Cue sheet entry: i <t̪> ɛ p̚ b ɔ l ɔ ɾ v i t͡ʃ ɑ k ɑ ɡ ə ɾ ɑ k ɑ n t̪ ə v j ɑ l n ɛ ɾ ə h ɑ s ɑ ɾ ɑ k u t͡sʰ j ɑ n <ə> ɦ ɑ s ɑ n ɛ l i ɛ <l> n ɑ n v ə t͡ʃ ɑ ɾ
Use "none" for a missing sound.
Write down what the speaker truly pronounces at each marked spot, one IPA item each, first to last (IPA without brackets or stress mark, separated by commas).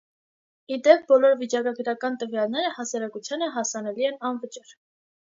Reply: d̪, ə, none